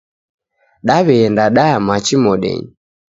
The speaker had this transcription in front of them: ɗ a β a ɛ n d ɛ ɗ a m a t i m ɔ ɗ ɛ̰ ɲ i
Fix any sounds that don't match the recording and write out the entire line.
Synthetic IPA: ɗ a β ɛ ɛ n d a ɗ a m a t͡ʃ i m ɔ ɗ ɛ̰ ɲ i